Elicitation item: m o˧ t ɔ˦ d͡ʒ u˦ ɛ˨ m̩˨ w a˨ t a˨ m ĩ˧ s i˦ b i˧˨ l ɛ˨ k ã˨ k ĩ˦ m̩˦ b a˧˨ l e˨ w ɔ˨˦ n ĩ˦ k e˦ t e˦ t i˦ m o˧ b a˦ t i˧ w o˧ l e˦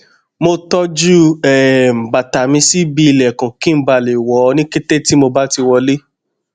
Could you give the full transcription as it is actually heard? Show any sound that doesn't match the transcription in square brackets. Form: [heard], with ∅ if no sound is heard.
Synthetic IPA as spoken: m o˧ t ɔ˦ d͡ʒ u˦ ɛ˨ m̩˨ [b] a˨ t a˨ m ĩ˧ s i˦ b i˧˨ l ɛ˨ k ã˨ k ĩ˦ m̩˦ b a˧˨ l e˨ w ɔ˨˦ n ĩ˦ k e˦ t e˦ t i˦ m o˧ b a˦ t i˧ w [ɔ˧] l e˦